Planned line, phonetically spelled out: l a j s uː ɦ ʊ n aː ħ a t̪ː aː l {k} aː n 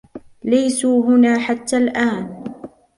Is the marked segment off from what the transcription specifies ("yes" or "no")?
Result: yes